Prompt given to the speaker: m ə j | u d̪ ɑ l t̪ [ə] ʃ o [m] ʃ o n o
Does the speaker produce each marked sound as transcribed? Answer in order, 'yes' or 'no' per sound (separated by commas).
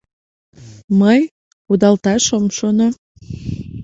no, yes